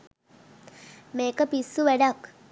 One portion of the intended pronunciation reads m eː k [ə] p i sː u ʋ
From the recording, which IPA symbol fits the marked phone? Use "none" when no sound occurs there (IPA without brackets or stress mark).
ə